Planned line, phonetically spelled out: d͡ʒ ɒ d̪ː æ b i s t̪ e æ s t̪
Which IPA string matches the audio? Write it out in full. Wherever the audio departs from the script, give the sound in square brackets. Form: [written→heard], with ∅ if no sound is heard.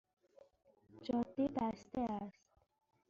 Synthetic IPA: d͡ʒ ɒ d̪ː [æ→i] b [i→æ] s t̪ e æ s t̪